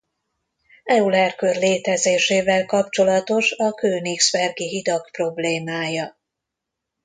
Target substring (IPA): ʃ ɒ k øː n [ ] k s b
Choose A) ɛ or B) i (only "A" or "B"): B